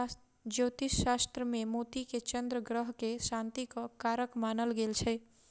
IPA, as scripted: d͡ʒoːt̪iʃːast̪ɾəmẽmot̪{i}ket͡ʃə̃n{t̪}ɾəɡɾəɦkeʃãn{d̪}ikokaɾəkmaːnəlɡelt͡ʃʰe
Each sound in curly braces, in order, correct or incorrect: correct, incorrect, incorrect

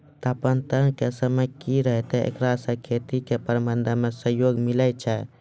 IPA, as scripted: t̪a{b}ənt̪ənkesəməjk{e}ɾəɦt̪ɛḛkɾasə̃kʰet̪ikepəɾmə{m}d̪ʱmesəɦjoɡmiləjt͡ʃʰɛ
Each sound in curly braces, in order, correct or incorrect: incorrect, incorrect, incorrect

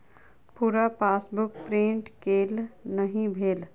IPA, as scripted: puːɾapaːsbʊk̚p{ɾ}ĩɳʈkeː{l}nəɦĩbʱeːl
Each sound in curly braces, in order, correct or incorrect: correct, correct

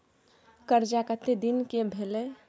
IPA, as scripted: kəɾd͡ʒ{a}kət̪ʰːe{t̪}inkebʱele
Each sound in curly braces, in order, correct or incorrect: correct, incorrect

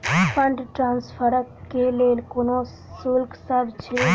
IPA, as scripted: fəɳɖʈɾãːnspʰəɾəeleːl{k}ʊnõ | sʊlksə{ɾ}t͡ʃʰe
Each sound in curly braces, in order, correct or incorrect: correct, correct

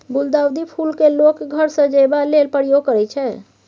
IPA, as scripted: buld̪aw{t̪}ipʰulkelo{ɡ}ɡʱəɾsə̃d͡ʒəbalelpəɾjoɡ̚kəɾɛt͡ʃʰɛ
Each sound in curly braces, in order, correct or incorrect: incorrect, incorrect

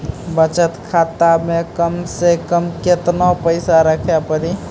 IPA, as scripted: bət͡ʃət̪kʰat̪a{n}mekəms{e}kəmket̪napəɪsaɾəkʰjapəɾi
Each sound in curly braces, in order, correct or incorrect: incorrect, correct

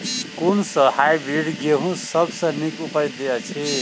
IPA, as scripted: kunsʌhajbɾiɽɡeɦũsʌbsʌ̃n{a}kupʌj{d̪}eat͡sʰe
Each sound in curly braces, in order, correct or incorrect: incorrect, correct

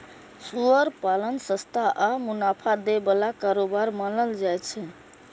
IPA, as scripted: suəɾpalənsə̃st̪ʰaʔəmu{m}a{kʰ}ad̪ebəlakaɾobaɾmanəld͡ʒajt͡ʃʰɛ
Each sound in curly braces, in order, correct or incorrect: incorrect, incorrect

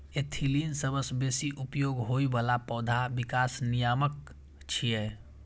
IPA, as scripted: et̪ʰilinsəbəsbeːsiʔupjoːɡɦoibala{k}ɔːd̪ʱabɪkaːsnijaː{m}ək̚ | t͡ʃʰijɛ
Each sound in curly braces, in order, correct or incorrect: incorrect, correct

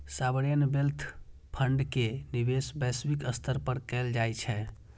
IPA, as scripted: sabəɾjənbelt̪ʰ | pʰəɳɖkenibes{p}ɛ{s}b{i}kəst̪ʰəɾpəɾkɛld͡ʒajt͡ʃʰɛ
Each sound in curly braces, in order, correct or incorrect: incorrect, correct, correct

